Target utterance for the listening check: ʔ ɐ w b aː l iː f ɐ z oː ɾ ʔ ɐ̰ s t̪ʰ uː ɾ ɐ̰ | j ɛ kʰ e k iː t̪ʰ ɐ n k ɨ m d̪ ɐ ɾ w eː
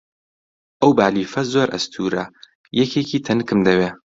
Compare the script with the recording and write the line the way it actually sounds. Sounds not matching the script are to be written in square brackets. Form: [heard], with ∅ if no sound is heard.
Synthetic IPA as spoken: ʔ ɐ w b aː l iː f ɐ z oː ɾ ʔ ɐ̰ s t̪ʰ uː ɾ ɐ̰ | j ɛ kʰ e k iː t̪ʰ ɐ n k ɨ m d̪ ɐ [∅] w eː